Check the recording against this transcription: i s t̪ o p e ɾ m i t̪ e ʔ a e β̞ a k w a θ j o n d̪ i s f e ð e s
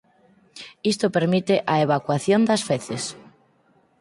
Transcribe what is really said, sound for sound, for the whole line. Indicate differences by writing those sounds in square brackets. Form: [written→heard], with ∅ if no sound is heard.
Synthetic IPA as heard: i s t̪ o p e ɾ m i t̪ e ʔ a e β̞ a k w a θ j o n d̪ [i→a] s f e [ð→θ] e s